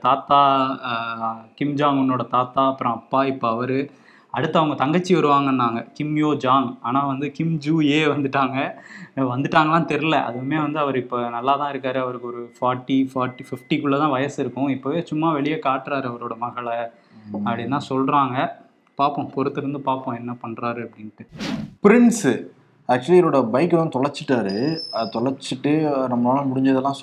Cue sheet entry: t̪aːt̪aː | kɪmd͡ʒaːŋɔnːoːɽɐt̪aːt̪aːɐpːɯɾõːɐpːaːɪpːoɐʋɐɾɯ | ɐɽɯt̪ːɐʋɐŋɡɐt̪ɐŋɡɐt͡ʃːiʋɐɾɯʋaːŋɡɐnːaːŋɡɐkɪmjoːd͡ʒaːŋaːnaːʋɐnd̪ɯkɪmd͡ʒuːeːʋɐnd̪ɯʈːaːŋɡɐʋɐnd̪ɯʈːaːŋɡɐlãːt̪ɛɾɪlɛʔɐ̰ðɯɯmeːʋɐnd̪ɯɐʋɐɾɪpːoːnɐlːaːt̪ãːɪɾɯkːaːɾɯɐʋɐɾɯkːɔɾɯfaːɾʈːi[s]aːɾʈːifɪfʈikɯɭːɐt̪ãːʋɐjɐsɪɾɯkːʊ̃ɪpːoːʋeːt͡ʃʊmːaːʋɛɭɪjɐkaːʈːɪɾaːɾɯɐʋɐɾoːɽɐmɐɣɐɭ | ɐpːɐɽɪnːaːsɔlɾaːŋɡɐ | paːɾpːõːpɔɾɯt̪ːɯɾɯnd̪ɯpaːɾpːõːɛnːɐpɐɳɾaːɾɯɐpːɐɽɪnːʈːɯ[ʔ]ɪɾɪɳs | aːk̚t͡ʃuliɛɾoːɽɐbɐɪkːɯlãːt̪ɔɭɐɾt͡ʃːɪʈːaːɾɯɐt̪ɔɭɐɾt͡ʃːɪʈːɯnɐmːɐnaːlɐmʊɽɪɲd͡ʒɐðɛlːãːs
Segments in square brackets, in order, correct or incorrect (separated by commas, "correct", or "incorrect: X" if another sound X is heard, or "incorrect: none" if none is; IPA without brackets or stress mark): incorrect: f, incorrect: p